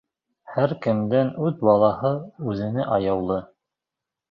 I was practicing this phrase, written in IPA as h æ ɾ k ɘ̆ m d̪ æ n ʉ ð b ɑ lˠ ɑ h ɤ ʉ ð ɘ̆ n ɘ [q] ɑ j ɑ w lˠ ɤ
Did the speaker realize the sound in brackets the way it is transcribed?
no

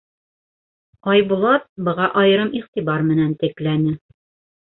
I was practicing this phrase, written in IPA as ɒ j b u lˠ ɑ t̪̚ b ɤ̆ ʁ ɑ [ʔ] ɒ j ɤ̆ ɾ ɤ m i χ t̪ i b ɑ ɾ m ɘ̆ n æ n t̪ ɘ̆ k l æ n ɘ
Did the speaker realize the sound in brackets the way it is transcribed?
yes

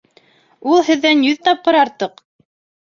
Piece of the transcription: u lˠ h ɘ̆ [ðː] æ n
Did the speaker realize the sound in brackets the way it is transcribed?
yes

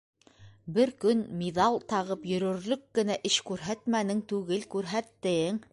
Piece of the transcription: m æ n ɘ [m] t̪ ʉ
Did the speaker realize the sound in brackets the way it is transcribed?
no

